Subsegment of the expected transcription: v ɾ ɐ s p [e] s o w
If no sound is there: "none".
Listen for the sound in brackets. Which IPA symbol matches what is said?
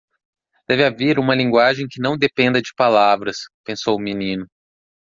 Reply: ẽ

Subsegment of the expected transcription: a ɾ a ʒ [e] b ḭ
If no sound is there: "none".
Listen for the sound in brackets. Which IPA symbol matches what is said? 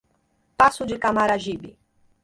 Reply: i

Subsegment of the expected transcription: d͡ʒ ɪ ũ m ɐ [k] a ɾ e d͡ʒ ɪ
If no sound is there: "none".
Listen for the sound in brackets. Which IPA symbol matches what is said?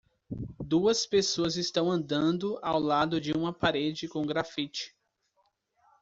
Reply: p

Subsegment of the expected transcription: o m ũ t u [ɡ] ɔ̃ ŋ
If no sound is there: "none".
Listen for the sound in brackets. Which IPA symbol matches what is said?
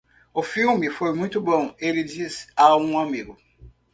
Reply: b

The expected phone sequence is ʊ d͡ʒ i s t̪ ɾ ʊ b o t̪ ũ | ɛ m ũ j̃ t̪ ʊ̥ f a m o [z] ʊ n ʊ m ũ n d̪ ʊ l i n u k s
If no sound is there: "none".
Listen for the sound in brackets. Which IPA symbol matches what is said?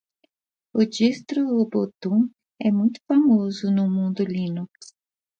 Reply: z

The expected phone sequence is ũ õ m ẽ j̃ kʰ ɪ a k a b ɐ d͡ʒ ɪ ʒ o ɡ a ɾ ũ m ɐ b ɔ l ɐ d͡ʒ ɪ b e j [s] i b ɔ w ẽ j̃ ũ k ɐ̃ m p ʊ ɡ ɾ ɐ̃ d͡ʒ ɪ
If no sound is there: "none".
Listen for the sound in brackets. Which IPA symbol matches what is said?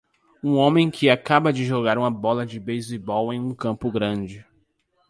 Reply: z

